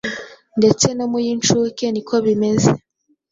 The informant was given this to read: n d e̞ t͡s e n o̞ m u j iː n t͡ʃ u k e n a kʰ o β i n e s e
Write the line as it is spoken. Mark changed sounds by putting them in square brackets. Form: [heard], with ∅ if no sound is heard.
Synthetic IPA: n d e̞ t͡s e n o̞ m u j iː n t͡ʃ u k e n [i] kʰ o β i [m] e [z] e